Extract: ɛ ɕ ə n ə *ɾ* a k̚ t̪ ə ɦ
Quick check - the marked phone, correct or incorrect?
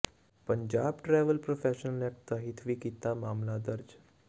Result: incorrect